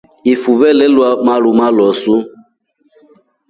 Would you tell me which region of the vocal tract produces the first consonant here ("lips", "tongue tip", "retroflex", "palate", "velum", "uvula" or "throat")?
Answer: lips